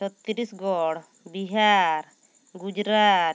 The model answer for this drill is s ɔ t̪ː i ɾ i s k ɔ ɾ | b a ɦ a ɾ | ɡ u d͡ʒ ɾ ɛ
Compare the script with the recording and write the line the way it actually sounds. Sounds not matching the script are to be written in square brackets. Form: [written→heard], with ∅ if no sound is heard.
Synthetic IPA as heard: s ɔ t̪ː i ɾ i s [k→ɡ] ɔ [ɾ→ɽ] | b [a→i] ɦ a ɾ | ɡ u d͡ʒ ɾ [ɛ→a]